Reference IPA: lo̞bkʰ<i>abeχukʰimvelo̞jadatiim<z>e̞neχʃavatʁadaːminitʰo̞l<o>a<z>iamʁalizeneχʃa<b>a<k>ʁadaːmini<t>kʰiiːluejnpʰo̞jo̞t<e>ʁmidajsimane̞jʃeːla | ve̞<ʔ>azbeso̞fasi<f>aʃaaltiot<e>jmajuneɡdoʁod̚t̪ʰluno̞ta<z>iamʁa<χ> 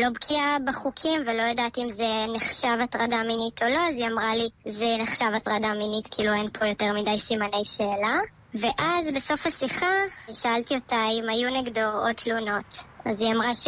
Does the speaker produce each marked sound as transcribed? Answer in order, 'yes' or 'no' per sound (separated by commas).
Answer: yes, yes, yes, yes, no, no, yes, yes, yes, no, no, yes, no